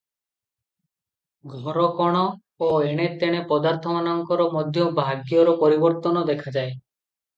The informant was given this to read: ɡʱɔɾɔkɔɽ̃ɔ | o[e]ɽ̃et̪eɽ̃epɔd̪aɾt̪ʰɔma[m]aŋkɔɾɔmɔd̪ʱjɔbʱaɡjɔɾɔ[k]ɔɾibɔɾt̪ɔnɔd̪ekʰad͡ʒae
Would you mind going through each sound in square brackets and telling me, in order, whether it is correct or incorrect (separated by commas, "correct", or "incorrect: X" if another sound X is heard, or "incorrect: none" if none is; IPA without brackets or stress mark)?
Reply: correct, incorrect: n, incorrect: p